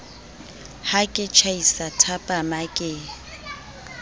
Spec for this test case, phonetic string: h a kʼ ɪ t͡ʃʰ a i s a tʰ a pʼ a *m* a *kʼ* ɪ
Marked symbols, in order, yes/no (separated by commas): yes, yes